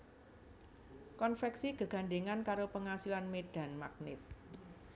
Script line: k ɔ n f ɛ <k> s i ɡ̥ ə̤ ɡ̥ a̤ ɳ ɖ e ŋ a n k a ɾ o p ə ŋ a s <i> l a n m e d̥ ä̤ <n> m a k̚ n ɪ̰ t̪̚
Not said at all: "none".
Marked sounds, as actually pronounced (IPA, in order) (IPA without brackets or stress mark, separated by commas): k, i, n